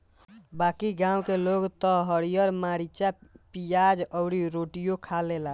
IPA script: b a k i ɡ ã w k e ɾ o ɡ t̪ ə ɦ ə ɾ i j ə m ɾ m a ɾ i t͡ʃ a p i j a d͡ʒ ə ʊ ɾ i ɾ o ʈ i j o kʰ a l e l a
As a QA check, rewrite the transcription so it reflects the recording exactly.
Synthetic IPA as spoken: b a k i ɡ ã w k e l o ɡ t̪ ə ɦ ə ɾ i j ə ɾ m a ɾ i t͡ʃ a p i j a d͡ʒ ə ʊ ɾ i ɾ o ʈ i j o kʰ a l e l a